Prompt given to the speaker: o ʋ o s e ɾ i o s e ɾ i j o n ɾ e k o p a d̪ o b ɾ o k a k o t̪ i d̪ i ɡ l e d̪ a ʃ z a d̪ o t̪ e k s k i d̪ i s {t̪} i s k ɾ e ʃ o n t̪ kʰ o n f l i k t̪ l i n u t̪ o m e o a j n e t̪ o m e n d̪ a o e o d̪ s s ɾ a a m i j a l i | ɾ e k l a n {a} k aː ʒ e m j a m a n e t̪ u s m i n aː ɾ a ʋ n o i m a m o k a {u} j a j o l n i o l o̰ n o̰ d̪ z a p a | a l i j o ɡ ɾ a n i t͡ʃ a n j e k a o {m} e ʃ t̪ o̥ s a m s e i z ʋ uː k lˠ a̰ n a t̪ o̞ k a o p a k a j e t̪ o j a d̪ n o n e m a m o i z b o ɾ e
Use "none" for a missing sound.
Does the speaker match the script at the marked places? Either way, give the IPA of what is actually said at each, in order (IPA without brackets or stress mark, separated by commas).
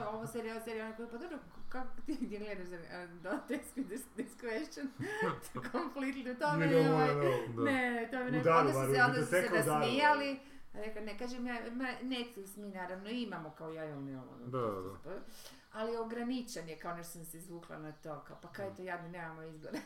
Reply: d̪, e, o, n